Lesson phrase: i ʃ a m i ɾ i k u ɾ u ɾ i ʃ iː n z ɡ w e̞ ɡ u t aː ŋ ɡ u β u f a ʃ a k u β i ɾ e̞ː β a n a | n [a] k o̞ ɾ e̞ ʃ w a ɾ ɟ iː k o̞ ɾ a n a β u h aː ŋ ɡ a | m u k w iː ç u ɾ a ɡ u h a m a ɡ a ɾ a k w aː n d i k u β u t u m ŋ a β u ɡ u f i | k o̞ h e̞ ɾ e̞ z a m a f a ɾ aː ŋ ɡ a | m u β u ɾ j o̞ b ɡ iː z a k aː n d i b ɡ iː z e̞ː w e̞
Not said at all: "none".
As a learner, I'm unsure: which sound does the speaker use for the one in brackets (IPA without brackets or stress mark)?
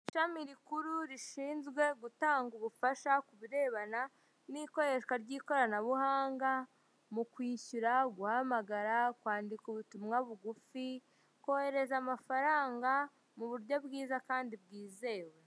i